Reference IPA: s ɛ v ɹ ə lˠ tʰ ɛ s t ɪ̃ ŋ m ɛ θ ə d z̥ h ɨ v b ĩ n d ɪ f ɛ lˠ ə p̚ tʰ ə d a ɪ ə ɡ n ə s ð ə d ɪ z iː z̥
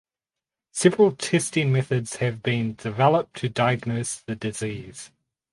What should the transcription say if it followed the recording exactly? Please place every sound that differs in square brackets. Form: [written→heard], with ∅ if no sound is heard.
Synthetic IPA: s ɛ v ɹ ə lˠ tʰ ɛ s t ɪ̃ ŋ m ɛ θ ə d z̥ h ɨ v b ĩ n d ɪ [f→v] ɛ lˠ ə p̚ tʰ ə d a ɪ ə ɡ n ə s ð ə d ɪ z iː z̥